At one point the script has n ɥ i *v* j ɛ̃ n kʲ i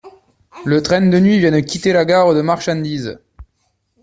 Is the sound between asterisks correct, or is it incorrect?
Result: correct